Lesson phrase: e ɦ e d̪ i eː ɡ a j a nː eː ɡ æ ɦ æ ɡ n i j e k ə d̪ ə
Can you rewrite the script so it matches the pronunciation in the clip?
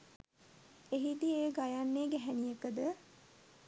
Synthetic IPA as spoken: e ɦ i d̪ i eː ɡ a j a nː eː ɡ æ ɦ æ n i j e k ə d̪ ə